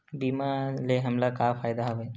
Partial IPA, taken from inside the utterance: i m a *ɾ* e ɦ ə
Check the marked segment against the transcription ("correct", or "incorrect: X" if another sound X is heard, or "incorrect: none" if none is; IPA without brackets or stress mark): incorrect: l